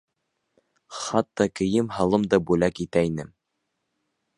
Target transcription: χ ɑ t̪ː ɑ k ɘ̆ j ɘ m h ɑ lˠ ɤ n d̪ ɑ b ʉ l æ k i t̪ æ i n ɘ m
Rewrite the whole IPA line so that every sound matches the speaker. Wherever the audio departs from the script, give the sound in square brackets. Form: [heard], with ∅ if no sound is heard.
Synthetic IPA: χ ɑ t̪ː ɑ k ɘ̆ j ɘ m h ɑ lˠ ɤ [m] d̪ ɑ b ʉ l æ k i t̪ æ i n ɘ m